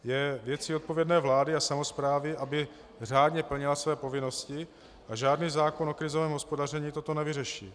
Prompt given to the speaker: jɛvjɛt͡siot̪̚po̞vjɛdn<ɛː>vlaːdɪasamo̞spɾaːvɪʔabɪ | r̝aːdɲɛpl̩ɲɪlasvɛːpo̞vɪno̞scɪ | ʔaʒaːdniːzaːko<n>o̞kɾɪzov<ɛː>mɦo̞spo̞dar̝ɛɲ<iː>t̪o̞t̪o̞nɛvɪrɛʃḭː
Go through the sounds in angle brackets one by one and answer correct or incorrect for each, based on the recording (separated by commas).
correct, correct, correct, correct